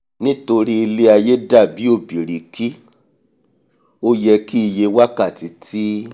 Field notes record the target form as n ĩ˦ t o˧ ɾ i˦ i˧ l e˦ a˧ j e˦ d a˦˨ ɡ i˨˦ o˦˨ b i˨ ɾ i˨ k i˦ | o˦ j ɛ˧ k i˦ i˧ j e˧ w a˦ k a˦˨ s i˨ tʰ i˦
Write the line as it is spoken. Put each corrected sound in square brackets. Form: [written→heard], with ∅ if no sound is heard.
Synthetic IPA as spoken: n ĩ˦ t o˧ ɾ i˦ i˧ l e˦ a˧ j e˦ d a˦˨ [ɡ→b] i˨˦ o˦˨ b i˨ ɾ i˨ k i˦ | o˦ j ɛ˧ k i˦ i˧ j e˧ w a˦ k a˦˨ [s→t] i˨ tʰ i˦